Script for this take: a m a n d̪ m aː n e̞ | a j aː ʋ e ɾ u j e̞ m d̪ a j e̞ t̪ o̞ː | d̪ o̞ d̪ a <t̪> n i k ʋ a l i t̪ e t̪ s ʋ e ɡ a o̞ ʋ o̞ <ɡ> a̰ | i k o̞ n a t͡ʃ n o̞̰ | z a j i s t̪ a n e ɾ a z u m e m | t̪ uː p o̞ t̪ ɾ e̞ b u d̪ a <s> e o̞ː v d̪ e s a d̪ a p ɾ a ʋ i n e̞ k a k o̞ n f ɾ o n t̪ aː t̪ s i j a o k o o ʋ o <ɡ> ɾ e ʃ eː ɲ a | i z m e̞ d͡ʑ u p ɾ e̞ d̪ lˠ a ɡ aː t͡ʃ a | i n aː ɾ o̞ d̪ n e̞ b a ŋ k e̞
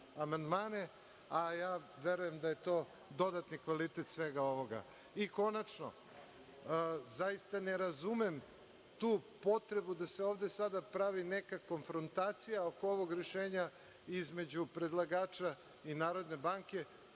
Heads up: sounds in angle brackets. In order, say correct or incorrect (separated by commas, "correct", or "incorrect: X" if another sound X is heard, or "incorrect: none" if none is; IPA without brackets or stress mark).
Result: correct, correct, correct, correct